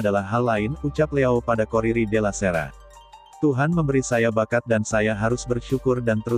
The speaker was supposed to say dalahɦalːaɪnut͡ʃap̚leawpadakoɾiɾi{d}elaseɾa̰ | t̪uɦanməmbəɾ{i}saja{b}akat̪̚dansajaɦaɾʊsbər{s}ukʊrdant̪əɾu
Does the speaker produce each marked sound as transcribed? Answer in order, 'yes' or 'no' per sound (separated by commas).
yes, yes, yes, no